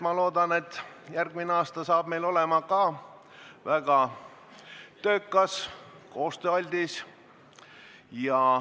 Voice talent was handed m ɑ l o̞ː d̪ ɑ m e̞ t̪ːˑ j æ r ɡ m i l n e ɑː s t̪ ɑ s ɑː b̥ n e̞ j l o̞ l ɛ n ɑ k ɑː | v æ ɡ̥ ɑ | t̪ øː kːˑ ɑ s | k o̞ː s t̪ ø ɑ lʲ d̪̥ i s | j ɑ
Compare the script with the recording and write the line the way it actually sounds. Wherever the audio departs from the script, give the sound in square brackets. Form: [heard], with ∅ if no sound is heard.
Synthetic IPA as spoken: m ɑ l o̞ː d̪ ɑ [n] e̞ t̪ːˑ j æ r ɡ m i [∅] n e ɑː s t̪ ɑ s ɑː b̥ [m] e̞ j l o̞ l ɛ [m] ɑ k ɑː | v æ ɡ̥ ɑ | t̪ øː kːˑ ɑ s | k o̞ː s t̪ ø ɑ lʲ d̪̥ i s | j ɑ